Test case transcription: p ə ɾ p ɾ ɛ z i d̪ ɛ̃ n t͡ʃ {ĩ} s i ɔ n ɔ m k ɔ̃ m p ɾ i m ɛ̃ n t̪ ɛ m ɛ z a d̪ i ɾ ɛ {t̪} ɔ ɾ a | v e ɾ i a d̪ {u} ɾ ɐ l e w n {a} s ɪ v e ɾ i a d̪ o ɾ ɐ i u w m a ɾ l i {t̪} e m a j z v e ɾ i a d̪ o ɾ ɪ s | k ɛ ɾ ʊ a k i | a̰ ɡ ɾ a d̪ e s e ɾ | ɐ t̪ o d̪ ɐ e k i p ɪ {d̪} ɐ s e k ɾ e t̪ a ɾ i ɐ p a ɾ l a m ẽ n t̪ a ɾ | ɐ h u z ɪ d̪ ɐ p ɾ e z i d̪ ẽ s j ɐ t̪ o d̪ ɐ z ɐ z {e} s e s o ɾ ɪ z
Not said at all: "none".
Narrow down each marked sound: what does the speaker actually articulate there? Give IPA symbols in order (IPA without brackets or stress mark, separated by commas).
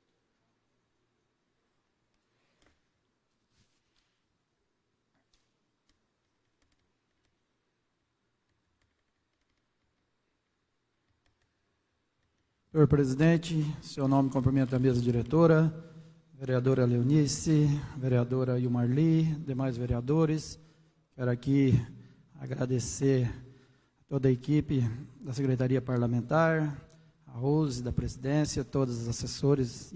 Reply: i, t̪, o, i, d̪, d̪, a